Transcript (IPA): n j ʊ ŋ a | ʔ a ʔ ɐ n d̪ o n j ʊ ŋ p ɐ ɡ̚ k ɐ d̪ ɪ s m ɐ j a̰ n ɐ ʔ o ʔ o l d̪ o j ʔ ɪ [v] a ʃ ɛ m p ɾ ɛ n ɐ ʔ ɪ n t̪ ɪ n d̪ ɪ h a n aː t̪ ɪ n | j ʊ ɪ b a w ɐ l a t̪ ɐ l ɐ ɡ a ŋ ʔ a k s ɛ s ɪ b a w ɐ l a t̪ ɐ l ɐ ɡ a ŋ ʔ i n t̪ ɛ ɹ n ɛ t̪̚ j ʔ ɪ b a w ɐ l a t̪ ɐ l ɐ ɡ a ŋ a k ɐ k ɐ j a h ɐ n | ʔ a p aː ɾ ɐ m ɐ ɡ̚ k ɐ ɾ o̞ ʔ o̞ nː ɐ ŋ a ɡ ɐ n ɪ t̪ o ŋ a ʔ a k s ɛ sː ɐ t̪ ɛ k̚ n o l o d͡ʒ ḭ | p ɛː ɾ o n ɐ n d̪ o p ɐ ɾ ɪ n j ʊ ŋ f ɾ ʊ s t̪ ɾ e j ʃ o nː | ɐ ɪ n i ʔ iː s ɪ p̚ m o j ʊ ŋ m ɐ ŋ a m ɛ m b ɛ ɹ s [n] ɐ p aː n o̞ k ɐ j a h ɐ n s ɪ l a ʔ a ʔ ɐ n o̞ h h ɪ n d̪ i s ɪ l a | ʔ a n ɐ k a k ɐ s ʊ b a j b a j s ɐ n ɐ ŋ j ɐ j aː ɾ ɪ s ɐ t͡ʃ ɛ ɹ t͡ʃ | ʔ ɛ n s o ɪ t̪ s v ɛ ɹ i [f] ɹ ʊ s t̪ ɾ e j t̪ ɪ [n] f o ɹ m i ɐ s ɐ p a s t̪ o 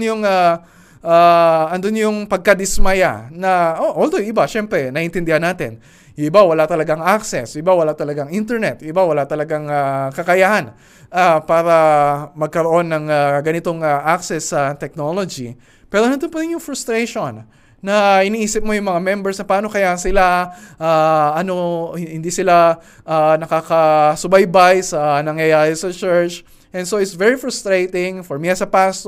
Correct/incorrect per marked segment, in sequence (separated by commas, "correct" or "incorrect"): incorrect, correct, correct, incorrect